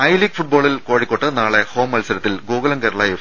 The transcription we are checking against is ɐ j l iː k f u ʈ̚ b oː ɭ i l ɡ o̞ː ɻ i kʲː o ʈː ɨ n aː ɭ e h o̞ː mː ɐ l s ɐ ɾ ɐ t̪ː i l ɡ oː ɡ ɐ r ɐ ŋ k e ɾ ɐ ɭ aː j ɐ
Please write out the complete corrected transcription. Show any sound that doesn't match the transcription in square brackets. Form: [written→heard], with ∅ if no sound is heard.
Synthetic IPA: ɐ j l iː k f u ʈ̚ b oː ɭ i l [ɡ→k] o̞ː ɻ i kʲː o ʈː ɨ n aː ɭ e h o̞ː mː ɐ l s ɐ ɾ ɐ t̪ː i l ɡ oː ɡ ɐ [r→l] ɐ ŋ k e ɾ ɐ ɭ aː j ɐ